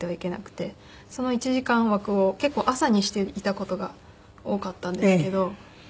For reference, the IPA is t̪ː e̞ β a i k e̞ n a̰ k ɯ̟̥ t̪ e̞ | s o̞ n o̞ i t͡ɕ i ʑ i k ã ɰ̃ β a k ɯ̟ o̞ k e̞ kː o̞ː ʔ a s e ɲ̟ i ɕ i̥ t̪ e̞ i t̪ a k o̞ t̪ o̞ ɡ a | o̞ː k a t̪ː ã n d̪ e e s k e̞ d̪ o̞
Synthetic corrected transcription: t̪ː e̞ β a i k e̞ n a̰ k ɯ̟̥ t̪ e̞ | s o̞ n o̞ i t͡ɕ i ʑ i k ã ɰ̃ β a k ɯ̟ o̞ k e̞ kː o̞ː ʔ a s a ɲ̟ i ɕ i̥ t̪ e̞ i t̪ a k o̞ t̪ o̞ ɡ a | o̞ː k a t̪ː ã n d̪ e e s k e̞ d̪ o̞

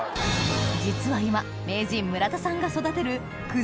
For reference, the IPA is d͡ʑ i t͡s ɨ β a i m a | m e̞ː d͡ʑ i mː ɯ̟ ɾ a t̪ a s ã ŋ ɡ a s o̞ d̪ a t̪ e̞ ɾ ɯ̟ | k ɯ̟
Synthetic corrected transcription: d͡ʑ i t͡s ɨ β a i m a | m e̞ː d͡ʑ ĩ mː ɯ̟ ɾ a t̪ a s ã ŋ ɡ a s o̞ d̪ a t̪ e̞ ɾ ɯ̟ | k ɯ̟

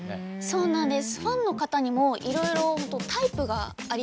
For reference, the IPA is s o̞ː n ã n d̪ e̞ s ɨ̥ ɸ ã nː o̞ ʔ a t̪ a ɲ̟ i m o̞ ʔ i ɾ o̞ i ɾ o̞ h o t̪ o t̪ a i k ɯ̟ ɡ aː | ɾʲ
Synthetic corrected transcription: s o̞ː n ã n d̪ e̞ s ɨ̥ ɸ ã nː o̞ k a t̪ a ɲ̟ i m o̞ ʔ i ɾ o̞ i ɾ o̞ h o t̪ o t̪ a i p ɯ̟ ɡ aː | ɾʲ

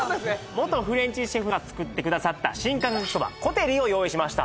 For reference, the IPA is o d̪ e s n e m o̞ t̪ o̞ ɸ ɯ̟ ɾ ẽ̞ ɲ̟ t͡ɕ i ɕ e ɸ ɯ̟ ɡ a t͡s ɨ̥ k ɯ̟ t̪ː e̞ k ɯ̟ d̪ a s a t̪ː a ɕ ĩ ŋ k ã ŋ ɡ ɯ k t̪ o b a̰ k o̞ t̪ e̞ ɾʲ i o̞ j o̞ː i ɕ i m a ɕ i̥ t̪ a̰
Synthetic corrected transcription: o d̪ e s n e m o̞ t̪ o̞ ɸ ɯ̟ ɾ ẽ̞ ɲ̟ t͡ɕ i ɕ e ɸ ɯ̟ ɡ a t͡s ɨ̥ k ɯ̟ t̪ː e̞ k ɯ̟ d̪ a s a t̪ː a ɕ ĩ ŋ k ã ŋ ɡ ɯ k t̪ o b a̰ k o̞ t̪ e̞ ɾʲ i o̞ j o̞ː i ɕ i m a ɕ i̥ t̪ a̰

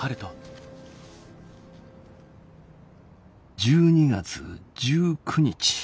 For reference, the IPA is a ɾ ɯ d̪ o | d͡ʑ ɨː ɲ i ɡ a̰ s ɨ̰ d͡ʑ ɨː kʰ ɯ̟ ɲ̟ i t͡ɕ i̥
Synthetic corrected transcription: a ɾ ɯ t̪ o | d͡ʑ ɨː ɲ i ɡ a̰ t͡s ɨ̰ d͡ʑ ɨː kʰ ɯ̟ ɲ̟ i t͡ɕ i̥

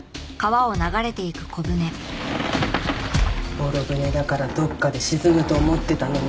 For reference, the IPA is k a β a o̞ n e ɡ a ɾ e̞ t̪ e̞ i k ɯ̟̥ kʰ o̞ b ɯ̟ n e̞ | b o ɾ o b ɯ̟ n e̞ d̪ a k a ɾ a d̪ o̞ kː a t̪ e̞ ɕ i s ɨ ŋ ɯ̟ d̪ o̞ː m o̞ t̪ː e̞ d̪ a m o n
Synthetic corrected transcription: k a β a o̞ n a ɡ a ɾ e̞ t̪ e̞ i k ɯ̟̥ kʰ o̞ b ɯ̟ n e̞ | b o ɾ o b ɯ̟ n e̞ d̪ a k a ɾ a d̪ o̞ kː a d̪ e̞ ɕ i z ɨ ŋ ɯ̟ t̪ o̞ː m o̞ t̪ː e̞ t̪ a n o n

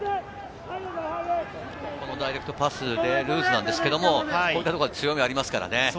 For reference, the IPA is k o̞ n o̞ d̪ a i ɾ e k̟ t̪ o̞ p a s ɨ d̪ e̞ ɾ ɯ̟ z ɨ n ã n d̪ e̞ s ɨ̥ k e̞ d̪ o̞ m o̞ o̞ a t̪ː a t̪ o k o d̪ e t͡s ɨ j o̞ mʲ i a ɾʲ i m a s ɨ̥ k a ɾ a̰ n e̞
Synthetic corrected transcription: k o̞ n o̞ d̪ a i ɾ e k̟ t̪ o̞ p a s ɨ d̪ e̞ ɾ ɯ̟ː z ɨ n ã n d̪ e̞ s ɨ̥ k e̞ d̪ o̞ m o̞ o̞ i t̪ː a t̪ o k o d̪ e t͡s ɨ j o̞ mʲ i a ɾʲ i m a s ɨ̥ k a ɾ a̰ n e̞

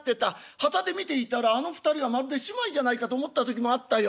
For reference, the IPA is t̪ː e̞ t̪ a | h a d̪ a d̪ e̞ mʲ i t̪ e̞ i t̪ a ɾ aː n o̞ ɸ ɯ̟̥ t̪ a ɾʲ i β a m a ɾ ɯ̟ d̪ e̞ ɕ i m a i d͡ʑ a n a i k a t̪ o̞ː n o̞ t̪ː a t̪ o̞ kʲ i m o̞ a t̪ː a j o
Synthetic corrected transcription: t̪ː e̞ t̪ a | h a t̪ a d̪ e̞ mʲ i t̪ e̞ i t̪ a ɾ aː n o̞ ɸ ɯ̟̥ t̪ a ɾʲ i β a m a ɾ ɯ̟ d̪ e̞ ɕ i m a i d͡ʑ a n a i k a t̪ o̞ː m o̞ t̪ː a t̪ o̞ kʲ i m o̞ a t̪ː a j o

